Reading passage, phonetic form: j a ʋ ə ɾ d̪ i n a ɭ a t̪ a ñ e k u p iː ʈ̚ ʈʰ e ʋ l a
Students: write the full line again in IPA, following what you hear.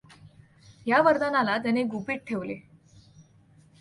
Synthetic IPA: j a ʋ ə ɾ d̪ a n a l a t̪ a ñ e ɡ u p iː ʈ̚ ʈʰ e ʋ l e